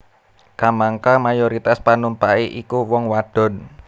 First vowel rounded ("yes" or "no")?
no